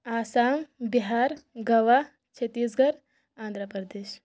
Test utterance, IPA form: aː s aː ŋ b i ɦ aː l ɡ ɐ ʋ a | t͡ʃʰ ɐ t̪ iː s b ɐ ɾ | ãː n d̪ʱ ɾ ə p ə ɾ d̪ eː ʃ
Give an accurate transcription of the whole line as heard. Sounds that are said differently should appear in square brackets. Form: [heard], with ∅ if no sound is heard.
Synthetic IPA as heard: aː s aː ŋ b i ɦ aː [ɾ] ɡ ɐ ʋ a | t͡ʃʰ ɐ t̪ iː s [ɡ] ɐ ɾ | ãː n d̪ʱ ɾ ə p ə ɾ d̪ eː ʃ